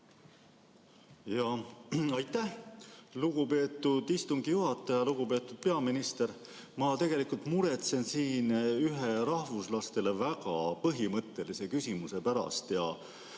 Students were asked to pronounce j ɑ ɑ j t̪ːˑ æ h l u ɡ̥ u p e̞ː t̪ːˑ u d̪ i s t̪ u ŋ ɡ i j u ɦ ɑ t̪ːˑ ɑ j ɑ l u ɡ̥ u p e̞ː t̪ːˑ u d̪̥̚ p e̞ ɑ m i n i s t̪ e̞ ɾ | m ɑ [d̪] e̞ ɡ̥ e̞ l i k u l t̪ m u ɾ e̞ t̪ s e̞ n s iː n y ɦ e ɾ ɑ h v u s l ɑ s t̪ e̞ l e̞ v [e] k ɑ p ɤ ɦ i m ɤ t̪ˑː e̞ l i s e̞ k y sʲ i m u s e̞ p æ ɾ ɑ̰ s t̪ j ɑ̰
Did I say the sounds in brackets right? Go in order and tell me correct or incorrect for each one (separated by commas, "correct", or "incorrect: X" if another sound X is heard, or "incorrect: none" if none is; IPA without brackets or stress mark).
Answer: incorrect: t̪, incorrect: æ